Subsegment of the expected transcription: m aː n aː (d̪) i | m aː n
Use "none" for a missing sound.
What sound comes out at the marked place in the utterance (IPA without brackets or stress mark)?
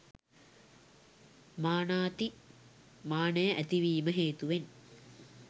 t̪